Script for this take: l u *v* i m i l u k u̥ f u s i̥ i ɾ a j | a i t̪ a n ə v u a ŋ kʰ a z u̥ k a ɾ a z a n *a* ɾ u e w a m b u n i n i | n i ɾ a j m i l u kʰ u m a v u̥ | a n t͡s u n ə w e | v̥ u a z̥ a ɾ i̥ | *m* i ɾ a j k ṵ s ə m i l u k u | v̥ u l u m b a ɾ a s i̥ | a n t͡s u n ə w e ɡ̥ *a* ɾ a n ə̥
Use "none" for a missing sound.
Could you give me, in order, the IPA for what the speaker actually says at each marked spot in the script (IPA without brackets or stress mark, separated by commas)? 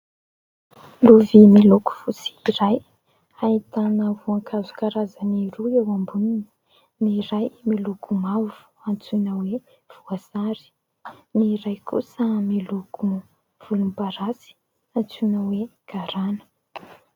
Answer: v, i, n, a